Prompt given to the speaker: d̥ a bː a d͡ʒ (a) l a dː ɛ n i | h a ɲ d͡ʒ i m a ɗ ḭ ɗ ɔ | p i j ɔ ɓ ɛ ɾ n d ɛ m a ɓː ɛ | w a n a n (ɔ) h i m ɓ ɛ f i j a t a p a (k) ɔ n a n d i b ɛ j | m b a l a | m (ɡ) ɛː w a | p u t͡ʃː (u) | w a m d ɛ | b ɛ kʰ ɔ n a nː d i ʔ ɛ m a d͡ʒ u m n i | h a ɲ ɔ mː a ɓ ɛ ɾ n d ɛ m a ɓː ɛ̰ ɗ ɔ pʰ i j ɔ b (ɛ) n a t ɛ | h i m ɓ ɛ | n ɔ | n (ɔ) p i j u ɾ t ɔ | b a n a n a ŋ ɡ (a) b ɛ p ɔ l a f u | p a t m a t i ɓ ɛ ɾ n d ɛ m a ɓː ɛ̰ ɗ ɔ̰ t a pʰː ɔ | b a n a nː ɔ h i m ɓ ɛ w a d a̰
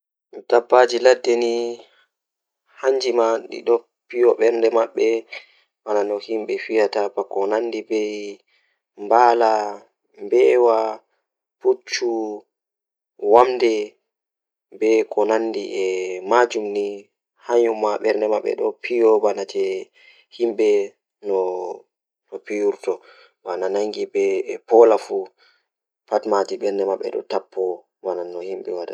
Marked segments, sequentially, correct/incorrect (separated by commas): incorrect, correct, correct, incorrect, correct, incorrect, correct, incorrect